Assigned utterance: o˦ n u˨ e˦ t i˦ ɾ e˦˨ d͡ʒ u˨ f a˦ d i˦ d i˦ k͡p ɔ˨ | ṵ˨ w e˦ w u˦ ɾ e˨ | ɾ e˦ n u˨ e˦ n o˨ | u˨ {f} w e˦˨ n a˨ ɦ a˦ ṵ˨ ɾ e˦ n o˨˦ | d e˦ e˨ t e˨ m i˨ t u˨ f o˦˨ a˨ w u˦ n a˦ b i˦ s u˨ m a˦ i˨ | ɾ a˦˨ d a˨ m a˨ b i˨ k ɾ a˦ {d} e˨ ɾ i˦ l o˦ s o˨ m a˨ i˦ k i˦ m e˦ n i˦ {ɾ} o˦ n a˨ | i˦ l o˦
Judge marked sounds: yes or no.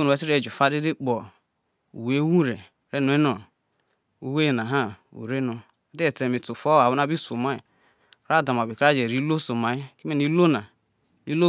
no, no, no

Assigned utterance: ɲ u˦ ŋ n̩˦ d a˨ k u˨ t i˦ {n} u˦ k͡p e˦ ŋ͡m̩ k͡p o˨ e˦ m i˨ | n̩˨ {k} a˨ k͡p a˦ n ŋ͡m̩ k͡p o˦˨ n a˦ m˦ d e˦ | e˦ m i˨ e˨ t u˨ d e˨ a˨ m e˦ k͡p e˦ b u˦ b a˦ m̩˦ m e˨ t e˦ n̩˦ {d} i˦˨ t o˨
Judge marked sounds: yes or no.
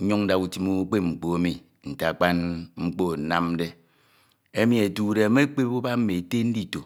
no, no, yes

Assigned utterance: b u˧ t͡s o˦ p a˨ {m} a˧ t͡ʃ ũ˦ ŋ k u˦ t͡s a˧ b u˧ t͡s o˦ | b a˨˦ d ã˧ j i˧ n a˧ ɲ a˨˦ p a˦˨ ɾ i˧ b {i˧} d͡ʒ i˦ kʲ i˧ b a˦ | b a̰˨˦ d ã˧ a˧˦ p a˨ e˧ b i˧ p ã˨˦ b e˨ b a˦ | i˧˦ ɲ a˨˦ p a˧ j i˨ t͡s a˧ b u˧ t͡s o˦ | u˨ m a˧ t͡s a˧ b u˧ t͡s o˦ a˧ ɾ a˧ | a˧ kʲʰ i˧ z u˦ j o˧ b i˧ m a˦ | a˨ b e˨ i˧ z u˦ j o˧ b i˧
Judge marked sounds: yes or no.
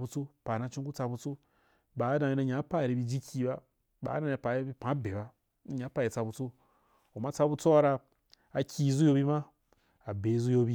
no, yes

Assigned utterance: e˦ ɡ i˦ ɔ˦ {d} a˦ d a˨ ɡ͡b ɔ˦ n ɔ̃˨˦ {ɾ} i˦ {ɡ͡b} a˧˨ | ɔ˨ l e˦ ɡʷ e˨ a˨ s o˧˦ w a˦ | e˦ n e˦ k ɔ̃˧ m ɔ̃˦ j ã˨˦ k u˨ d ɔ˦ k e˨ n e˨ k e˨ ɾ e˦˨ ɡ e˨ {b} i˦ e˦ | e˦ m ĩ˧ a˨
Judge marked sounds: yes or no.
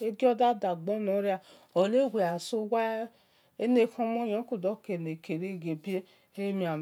yes, yes, no, yes

